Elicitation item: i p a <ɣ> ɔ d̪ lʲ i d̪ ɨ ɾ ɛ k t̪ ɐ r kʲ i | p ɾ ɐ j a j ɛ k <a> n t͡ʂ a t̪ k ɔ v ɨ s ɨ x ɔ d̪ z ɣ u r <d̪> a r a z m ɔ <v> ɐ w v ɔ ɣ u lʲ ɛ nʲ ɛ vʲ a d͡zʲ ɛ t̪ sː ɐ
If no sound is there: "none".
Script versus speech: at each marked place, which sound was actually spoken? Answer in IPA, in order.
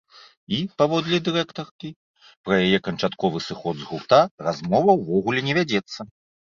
v, ɐ, t̪, v

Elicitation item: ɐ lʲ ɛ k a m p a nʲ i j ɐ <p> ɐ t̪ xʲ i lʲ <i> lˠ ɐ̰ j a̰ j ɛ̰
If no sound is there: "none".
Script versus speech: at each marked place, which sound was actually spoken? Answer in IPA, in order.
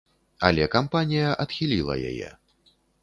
ʔ, i

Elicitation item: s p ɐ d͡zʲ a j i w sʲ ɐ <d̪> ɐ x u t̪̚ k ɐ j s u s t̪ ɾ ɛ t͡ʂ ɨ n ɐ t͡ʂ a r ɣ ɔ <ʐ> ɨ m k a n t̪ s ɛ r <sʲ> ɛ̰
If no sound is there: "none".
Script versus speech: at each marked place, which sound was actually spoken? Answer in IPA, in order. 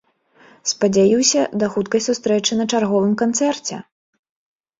d̪, v, t͡sʲ

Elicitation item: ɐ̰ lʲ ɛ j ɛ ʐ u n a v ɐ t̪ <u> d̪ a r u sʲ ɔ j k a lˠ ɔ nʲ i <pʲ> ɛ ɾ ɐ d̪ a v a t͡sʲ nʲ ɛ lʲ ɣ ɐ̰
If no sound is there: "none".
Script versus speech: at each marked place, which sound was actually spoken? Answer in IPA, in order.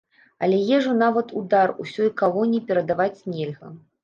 u, pʲ

